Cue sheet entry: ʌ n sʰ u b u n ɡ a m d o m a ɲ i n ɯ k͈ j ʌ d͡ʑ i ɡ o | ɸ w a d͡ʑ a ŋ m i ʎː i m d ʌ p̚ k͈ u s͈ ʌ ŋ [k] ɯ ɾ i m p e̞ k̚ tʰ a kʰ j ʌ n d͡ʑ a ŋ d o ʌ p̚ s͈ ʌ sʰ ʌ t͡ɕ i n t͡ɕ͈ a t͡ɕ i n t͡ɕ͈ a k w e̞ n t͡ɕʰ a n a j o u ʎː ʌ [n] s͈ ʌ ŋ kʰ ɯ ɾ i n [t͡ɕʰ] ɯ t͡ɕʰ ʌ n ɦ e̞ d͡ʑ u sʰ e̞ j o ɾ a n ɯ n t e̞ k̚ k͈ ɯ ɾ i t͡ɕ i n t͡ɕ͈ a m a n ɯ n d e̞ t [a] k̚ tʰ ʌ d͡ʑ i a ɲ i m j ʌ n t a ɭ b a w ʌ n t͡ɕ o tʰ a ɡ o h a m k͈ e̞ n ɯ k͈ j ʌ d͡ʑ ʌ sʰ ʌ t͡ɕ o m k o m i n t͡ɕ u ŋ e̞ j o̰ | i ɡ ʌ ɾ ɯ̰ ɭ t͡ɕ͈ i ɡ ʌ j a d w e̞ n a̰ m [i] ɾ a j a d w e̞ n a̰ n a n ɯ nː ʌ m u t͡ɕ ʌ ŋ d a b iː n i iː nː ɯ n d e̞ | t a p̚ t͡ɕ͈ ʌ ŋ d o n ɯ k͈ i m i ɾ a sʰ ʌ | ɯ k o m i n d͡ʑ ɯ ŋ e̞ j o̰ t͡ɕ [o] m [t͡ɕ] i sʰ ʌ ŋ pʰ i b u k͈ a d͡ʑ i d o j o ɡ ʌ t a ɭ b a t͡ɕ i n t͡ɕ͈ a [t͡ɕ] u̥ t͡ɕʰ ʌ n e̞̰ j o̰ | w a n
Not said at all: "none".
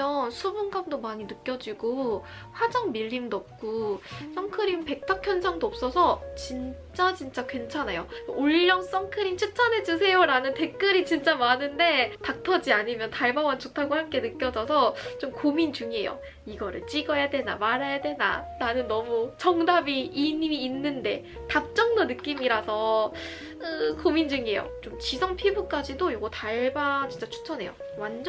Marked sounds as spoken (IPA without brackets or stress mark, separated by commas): kʰ, ŋ, t͡ɕʰ, a, a, o, t͡ɕ, t͡ɕʰ